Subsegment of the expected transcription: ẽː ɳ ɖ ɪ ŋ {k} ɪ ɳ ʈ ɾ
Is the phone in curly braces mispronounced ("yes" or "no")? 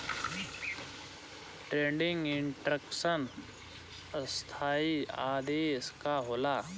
yes